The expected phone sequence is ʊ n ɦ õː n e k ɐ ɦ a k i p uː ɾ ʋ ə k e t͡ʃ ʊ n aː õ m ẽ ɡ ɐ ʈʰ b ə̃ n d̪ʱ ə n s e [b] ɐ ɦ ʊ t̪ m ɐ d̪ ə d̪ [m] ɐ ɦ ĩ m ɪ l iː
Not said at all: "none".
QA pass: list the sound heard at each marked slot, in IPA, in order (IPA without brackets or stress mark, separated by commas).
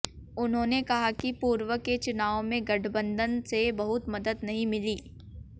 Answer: b, n